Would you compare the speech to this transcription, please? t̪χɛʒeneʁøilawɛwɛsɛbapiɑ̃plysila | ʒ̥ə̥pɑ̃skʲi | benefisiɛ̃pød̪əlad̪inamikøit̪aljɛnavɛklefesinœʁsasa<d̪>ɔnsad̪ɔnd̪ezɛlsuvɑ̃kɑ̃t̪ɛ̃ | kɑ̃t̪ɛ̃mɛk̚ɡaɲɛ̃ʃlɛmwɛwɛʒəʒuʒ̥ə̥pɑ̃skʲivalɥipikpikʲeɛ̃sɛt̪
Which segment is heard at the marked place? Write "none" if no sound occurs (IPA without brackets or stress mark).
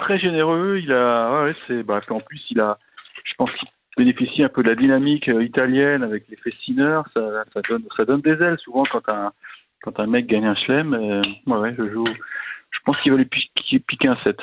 d̪